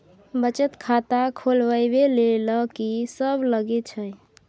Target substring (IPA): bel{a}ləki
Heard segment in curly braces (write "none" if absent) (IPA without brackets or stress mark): e